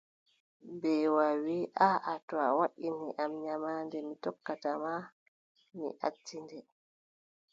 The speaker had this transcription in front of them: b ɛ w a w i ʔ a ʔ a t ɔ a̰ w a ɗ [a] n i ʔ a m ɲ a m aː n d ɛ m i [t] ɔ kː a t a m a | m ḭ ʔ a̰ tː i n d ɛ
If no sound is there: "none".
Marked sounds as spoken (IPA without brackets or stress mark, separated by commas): i, t